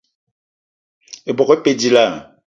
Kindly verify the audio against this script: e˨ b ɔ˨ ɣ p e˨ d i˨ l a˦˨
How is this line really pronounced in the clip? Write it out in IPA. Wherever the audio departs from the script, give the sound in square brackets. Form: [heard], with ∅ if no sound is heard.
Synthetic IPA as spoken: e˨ b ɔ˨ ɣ p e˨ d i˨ l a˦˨